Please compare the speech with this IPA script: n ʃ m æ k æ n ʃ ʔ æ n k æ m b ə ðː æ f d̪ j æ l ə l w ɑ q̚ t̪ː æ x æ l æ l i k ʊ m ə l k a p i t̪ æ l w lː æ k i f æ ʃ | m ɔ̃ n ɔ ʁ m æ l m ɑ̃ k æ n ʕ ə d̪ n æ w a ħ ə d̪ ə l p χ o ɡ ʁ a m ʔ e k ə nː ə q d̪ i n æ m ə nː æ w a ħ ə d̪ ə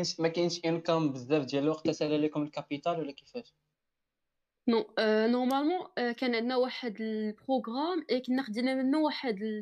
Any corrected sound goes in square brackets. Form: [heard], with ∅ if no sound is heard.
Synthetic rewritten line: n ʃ m æ k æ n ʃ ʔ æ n k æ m b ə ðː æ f d̪ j æ l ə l w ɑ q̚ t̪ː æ [s] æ l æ l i k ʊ m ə l k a p i t̪ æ l w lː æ k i f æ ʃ | [n] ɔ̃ n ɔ ʁ m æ l m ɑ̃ k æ n ʕ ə d̪ n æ w a ħ ə d̪ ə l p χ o ɡ ʁ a m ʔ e k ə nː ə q d̪ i n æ m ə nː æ w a ħ ə d̪ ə